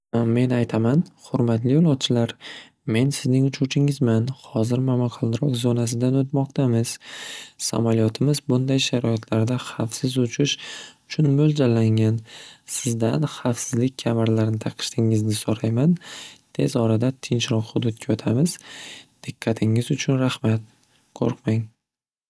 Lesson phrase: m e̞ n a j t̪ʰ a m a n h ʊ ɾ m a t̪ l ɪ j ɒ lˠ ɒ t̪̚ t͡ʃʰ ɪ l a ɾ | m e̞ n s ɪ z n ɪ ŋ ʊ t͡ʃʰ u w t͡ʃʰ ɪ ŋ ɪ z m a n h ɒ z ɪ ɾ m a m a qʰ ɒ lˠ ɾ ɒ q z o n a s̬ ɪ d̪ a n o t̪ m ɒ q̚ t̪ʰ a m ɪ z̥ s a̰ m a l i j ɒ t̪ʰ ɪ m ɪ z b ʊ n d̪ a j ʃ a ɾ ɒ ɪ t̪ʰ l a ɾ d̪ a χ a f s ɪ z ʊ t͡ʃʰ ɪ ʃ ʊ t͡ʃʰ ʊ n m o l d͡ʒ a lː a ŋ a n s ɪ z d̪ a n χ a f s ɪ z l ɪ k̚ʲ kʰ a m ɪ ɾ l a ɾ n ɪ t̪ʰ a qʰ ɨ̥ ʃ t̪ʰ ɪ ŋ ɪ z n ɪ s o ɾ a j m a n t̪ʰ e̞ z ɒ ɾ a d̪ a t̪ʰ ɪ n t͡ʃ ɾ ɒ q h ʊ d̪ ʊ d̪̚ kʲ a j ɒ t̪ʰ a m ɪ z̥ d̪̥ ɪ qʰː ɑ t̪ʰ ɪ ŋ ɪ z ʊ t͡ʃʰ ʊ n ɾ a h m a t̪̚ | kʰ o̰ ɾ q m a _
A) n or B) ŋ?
B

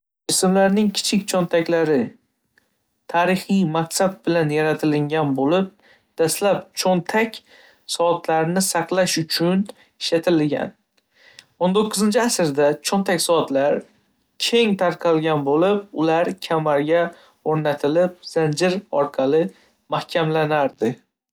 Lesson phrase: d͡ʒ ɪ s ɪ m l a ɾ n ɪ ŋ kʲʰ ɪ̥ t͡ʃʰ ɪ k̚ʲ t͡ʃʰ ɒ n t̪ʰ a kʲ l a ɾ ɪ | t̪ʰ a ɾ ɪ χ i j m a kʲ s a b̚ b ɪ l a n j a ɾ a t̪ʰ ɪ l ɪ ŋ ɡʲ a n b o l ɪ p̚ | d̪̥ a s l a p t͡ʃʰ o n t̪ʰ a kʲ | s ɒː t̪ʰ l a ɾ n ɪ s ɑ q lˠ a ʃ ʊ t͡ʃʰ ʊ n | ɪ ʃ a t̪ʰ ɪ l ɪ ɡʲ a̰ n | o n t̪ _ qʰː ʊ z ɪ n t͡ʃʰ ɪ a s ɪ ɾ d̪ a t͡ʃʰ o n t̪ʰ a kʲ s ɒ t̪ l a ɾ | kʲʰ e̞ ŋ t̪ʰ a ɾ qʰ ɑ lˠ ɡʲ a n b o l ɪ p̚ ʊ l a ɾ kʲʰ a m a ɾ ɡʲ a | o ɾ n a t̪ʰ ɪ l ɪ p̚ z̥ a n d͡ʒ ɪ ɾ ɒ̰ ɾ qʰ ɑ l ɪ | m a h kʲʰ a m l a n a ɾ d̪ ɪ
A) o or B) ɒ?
A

